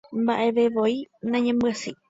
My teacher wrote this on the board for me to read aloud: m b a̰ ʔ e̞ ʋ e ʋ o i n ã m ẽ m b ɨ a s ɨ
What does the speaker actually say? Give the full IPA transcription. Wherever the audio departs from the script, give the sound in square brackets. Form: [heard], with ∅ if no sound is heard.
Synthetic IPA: m b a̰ ʔ e̞ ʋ e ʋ o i n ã [ɲ] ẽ m b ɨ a s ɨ